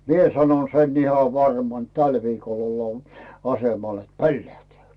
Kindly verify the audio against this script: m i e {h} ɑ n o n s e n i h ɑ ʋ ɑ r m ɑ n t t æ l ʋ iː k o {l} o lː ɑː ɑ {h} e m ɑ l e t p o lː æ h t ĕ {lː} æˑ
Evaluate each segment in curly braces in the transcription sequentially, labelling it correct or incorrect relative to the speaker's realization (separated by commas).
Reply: incorrect, correct, incorrect, incorrect